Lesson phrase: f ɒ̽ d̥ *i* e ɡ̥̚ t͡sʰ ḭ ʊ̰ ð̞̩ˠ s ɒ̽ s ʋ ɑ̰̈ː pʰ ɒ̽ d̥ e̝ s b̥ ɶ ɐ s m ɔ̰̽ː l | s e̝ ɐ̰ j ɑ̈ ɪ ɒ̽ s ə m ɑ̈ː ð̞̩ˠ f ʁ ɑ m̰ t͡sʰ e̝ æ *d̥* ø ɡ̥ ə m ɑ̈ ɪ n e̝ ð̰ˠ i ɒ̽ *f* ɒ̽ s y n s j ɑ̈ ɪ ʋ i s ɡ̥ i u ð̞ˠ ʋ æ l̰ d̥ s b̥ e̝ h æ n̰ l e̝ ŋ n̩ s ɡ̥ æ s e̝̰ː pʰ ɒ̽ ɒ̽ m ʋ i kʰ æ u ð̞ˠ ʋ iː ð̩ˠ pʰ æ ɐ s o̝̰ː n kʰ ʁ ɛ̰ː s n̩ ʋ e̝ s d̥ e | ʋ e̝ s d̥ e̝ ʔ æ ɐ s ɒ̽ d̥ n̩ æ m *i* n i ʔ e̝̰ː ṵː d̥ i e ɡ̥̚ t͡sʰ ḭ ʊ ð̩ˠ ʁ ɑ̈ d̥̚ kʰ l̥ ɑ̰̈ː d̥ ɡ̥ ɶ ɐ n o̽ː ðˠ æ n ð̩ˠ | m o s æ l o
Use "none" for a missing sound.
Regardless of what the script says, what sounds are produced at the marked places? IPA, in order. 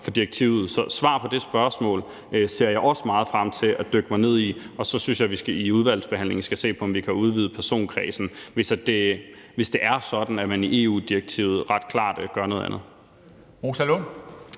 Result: i, d̥, s, æ

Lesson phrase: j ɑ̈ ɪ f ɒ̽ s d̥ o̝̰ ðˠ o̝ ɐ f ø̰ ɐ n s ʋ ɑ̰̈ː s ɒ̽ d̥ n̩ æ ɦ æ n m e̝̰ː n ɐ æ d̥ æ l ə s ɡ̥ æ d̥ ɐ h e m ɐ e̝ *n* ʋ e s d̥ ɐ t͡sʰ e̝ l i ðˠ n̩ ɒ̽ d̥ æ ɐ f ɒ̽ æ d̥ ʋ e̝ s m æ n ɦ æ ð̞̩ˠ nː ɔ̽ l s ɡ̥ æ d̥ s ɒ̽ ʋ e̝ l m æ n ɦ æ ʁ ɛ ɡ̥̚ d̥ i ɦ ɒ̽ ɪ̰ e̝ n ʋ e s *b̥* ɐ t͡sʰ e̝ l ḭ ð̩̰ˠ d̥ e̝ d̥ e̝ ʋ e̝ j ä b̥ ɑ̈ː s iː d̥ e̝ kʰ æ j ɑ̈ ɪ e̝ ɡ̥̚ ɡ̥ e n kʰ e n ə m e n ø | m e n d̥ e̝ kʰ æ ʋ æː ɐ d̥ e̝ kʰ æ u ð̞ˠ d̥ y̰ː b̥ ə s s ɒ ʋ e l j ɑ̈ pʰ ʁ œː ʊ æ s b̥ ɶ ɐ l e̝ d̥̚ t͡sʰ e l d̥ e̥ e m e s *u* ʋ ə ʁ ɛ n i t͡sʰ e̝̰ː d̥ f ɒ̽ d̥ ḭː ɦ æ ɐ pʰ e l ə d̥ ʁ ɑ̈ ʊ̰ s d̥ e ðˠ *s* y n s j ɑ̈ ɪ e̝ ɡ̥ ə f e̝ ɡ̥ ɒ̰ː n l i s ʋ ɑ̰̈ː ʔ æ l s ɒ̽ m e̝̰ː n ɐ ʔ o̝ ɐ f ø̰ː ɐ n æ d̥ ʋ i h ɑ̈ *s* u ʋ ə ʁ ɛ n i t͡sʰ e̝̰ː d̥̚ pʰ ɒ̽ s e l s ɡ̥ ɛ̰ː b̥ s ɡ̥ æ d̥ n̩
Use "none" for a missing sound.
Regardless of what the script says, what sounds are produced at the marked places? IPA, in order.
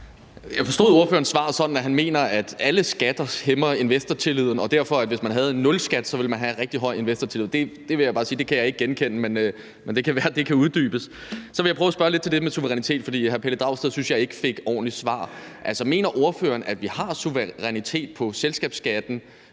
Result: n, d̥, u, s, s

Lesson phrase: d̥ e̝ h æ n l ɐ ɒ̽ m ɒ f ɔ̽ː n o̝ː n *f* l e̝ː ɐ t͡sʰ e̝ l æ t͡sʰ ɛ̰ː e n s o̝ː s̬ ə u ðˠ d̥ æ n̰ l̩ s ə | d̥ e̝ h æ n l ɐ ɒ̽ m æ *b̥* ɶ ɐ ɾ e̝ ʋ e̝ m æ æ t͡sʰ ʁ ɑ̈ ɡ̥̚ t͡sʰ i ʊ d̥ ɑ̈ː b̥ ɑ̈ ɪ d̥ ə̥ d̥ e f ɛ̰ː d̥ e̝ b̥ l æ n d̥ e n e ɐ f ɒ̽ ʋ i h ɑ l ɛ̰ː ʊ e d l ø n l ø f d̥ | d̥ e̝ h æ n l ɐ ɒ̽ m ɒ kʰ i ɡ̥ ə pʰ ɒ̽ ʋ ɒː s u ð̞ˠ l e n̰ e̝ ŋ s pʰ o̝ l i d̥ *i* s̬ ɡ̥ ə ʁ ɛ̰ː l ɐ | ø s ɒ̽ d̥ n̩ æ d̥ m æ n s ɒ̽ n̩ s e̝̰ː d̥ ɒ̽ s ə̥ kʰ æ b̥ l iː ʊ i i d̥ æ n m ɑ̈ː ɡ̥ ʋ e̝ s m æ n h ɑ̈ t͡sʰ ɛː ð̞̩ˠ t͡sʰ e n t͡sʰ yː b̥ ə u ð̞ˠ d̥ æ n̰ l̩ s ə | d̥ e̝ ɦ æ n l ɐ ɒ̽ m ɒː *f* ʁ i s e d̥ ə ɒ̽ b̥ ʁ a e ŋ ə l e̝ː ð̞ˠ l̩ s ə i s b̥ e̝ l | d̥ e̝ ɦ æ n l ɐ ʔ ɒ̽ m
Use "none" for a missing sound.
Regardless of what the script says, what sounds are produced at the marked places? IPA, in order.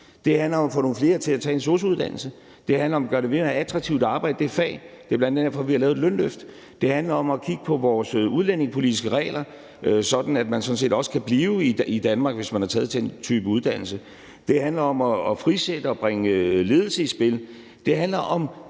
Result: f, ɡ̥, i, f

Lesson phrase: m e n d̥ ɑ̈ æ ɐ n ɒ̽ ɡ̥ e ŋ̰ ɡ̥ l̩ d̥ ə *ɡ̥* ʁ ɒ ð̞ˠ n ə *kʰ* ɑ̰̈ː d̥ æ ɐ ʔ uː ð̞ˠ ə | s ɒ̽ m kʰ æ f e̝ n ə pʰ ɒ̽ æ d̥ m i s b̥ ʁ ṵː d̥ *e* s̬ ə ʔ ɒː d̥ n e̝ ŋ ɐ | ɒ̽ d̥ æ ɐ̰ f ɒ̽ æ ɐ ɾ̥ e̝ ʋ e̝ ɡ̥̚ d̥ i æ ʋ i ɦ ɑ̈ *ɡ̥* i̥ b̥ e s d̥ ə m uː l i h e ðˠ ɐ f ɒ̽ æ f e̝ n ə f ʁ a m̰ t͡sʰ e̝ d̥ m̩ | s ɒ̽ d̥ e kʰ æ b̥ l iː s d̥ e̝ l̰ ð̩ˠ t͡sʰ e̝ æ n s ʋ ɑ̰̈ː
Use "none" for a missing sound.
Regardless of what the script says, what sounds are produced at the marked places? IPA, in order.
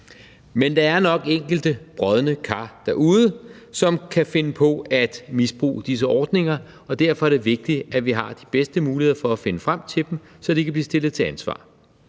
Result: b̥, kʰ, i, d̥

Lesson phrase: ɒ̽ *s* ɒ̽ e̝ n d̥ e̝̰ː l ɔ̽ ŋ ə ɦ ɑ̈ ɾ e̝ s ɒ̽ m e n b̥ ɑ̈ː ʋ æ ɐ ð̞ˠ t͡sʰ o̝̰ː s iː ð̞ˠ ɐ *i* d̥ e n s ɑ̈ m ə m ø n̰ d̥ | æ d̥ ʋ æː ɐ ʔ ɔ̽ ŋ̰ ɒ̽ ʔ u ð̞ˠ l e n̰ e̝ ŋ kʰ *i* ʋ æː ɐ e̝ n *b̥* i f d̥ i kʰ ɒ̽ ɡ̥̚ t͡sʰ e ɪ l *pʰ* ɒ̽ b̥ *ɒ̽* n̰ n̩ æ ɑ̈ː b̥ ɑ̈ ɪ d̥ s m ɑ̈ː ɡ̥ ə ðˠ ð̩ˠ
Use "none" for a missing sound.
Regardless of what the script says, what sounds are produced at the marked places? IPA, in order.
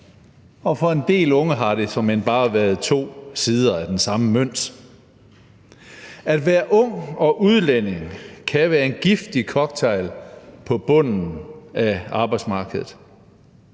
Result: f, æ, æ, ɡ̥, pʰ, ɔ̽

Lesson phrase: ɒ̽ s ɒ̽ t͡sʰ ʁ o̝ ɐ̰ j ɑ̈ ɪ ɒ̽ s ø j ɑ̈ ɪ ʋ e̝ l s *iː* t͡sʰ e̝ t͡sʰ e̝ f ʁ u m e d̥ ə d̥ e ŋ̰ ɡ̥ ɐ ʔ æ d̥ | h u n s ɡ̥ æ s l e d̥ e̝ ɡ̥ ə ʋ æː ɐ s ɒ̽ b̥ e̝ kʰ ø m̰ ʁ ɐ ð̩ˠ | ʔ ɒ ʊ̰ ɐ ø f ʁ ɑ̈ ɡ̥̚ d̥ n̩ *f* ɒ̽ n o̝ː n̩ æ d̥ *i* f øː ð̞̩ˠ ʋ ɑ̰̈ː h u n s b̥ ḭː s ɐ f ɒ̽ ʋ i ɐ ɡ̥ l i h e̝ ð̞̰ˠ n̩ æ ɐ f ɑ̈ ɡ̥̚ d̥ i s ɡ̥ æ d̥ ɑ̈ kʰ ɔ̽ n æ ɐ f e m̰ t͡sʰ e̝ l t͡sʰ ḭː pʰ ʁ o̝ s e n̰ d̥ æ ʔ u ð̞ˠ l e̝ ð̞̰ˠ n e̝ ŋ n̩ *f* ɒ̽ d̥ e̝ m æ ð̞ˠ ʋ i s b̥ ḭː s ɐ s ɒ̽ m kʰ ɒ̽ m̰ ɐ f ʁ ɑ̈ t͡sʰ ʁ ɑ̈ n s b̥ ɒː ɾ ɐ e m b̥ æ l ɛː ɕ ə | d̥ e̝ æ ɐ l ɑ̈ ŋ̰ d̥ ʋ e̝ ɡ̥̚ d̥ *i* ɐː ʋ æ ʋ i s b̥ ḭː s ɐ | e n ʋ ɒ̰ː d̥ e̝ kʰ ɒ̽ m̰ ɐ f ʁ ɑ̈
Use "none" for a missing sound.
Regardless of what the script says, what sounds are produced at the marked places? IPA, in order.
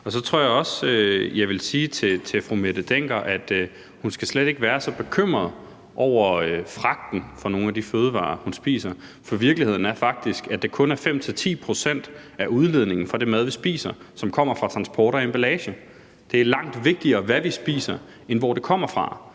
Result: iː, f, i, f, i

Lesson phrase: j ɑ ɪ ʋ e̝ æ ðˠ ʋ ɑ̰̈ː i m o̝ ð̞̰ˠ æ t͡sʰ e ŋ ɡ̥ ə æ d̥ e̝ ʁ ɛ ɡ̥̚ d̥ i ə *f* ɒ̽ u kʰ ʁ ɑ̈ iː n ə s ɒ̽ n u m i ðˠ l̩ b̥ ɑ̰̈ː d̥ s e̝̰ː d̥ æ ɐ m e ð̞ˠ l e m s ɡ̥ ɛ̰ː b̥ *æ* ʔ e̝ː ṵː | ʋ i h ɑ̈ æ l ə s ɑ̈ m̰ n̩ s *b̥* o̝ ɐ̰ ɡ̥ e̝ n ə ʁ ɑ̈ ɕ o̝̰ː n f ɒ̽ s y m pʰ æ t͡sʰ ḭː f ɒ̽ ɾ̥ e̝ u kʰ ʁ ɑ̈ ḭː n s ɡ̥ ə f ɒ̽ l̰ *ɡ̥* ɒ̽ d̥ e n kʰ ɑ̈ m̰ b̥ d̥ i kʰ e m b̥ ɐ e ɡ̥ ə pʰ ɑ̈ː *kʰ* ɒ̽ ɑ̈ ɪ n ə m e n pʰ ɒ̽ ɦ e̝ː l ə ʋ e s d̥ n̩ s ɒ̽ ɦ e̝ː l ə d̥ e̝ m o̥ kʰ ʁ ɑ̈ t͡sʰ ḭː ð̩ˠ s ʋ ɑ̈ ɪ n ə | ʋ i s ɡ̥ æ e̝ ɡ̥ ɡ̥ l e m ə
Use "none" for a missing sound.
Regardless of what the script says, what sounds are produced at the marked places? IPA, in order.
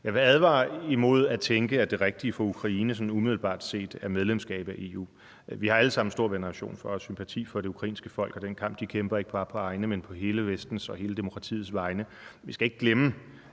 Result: f, æ, d̥, ɡ̥, pʰ

